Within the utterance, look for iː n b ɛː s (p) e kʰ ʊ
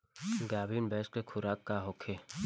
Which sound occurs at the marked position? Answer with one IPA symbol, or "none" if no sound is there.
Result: k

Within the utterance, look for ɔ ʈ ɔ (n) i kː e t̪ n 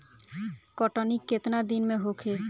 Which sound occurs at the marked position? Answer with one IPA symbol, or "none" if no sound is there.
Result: n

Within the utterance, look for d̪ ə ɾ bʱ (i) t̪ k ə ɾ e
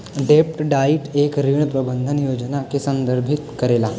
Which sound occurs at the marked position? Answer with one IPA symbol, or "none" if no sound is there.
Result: i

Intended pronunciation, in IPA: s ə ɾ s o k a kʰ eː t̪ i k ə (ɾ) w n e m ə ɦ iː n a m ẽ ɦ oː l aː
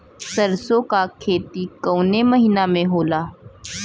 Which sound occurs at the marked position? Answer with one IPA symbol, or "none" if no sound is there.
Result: none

